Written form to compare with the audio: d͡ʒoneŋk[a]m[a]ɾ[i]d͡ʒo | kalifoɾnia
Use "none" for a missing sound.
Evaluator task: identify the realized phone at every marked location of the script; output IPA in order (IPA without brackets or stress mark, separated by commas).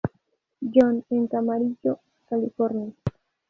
a, a, i